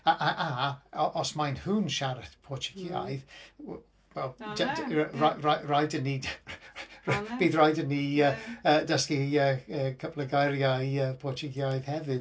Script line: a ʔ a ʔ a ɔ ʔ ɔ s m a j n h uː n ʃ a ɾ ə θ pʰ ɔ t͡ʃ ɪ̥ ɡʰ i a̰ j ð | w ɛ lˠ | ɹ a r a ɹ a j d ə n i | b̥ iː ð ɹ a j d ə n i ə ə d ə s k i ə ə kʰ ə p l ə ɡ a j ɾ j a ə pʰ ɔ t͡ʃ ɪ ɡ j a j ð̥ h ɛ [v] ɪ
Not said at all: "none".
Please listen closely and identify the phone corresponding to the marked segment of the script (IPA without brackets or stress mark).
v